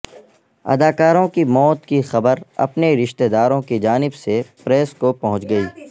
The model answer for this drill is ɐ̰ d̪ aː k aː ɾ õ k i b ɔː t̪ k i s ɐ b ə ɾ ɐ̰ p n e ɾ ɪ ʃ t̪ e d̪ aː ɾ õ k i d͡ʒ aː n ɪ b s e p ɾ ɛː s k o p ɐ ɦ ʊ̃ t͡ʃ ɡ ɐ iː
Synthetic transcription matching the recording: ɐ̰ d̪ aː k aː ɾ õ k i m ɔː t̪ k i x ɐ b ə ɾ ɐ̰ p n e ɾ ɪ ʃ t̪ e d̪ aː ɾ õ k i d͡ʒ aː n ɪ b s e p ɾ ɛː s k o p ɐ ɦ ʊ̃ t͡ʃ ɡ ɐ iː